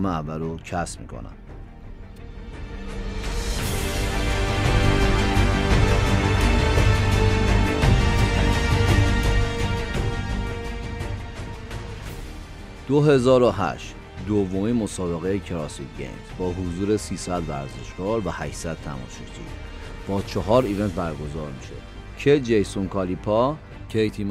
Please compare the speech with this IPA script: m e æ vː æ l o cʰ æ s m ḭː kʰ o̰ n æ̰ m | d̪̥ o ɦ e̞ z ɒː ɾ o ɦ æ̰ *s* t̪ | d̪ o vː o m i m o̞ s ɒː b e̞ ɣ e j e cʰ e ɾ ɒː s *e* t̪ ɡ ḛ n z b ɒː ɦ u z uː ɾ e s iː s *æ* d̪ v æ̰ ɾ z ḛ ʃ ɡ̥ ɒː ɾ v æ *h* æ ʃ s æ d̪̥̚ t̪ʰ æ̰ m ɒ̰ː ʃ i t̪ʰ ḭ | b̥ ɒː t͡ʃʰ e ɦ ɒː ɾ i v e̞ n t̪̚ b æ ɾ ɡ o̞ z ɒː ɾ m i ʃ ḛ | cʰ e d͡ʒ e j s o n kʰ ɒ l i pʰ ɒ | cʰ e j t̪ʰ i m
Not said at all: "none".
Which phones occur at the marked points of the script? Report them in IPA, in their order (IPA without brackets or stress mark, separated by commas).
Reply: ʃ, i, æ, h